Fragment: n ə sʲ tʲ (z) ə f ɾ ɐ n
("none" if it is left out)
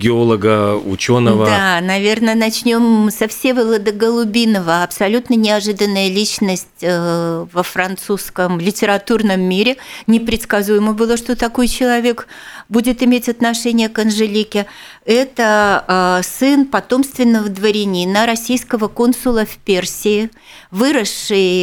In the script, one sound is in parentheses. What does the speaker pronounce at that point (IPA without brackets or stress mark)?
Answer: v